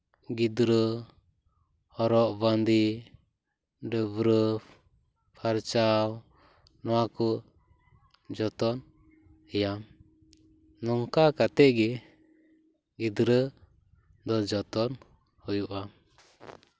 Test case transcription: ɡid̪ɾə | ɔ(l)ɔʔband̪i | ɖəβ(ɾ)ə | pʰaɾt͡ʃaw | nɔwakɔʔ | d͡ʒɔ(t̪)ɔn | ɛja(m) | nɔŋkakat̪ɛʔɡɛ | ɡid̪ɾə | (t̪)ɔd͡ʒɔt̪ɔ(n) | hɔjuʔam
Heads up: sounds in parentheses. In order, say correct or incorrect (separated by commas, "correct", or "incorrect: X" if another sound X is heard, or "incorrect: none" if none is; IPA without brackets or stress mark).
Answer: incorrect: ɾ, correct, correct, correct, incorrect: d̪, correct